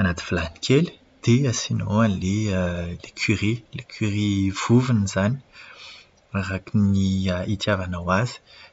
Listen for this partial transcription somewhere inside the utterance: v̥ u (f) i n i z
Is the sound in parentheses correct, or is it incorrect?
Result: incorrect